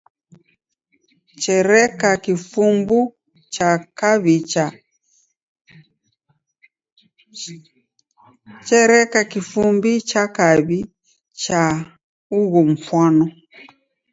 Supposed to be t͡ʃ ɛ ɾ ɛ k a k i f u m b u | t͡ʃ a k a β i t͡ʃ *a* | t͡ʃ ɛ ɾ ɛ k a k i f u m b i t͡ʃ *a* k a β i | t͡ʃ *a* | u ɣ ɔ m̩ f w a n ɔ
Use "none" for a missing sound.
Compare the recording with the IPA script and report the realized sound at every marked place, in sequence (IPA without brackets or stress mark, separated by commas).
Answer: a, a, a